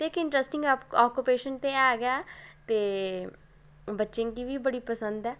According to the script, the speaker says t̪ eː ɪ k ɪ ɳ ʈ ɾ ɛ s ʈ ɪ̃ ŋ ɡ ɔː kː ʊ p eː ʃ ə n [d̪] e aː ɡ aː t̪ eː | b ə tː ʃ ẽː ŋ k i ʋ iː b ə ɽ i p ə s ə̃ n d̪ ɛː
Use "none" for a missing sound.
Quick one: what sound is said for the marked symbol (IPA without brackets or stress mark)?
t̪